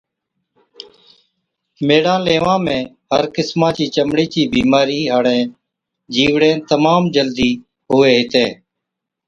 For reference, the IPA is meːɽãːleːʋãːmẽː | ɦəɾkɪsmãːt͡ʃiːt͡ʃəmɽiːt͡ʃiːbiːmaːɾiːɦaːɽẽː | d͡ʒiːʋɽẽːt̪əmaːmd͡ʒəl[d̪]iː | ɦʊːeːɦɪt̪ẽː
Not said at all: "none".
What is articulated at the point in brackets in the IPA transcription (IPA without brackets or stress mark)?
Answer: d̪